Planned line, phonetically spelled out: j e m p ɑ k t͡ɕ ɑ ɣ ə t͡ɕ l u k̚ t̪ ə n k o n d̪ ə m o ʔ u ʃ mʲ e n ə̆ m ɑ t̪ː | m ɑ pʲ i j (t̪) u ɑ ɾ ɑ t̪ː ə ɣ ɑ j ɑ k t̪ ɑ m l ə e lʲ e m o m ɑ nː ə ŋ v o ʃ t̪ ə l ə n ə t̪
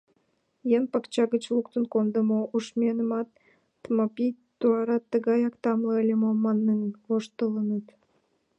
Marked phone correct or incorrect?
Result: correct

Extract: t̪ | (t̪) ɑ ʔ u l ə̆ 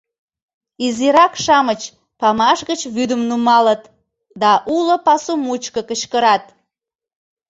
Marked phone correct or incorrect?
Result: incorrect: d̪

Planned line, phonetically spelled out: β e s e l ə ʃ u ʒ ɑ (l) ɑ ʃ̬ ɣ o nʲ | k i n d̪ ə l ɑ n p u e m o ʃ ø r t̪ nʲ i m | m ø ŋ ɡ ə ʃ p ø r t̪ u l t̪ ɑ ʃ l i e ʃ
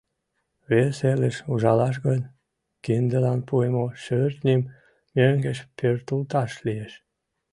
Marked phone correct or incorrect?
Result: correct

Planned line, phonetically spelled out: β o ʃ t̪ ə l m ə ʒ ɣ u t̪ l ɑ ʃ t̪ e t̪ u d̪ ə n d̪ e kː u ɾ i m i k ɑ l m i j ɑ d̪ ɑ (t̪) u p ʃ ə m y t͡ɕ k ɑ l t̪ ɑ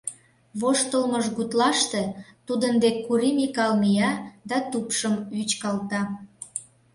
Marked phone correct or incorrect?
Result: correct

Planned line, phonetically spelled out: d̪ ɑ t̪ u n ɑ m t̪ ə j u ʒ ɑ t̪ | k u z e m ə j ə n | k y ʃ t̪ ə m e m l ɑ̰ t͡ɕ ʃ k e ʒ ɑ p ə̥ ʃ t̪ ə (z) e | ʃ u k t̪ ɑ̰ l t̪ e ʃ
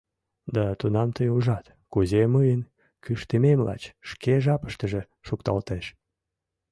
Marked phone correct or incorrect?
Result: incorrect: ʒ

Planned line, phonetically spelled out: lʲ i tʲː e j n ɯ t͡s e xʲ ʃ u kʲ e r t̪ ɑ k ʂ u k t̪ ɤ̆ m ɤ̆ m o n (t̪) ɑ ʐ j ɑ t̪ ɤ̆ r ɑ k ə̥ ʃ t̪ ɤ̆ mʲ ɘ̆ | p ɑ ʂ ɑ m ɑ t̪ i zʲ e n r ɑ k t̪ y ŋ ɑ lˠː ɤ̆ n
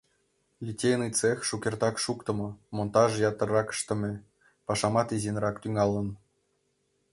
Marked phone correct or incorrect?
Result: correct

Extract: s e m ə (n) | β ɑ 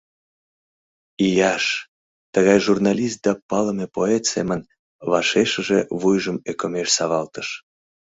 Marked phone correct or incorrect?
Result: correct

